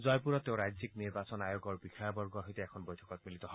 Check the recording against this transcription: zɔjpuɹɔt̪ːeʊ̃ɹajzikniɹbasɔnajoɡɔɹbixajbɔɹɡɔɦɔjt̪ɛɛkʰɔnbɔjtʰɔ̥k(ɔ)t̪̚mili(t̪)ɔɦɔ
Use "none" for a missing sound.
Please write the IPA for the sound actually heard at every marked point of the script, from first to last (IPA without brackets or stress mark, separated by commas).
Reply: ɔ, t̪